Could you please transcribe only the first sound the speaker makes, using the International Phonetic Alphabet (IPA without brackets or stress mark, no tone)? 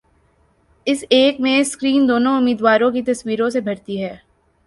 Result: ɪ